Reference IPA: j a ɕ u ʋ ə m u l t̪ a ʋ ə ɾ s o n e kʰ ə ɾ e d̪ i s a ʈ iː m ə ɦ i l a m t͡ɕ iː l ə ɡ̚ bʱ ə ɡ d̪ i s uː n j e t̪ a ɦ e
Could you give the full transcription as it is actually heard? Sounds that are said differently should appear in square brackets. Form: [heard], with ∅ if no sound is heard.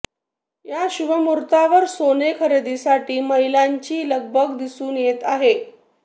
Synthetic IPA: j a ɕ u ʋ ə m u [ɾ] t̪ a ʋ ə ɾ s o n e kʰ ə ɾ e d̪ i s a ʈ iː m ə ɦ i l a [ɲ] t͡ɕ iː l ə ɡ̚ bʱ ə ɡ d̪ i s uː n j e t̪ a ɦ e